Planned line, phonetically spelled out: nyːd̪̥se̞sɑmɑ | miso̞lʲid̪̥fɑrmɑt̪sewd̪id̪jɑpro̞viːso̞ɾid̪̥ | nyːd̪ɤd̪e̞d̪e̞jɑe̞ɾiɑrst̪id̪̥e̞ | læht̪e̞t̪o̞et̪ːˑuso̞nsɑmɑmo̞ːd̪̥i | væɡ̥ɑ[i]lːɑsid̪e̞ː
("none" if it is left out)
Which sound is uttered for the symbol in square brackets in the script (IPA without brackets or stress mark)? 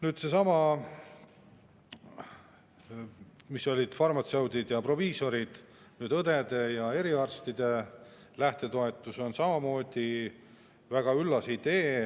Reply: y